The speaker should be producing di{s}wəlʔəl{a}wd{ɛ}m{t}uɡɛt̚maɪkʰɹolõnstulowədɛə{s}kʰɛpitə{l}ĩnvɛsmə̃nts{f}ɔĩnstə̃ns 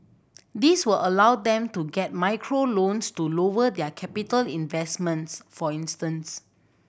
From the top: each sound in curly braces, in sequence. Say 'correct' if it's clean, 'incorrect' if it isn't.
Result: correct, correct, incorrect, correct, incorrect, correct, correct

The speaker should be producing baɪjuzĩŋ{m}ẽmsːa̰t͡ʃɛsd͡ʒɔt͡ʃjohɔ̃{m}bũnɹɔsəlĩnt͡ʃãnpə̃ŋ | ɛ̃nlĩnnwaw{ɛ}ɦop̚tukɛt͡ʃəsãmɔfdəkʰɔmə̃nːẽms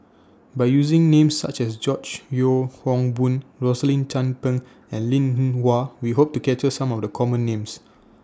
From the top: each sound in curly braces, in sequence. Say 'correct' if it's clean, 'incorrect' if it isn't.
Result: incorrect, incorrect, incorrect

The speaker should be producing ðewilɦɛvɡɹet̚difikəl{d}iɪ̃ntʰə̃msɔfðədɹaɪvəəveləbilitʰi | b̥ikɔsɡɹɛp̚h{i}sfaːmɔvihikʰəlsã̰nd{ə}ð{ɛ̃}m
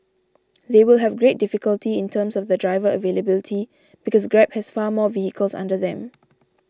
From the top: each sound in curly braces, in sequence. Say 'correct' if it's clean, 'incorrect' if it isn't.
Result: incorrect, incorrect, correct, correct

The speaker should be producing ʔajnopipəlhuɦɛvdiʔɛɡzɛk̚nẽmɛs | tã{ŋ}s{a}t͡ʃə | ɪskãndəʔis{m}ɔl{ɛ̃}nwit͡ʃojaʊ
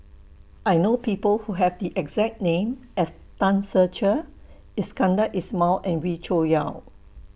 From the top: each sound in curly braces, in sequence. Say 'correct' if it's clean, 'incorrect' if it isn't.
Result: incorrect, incorrect, correct, correct

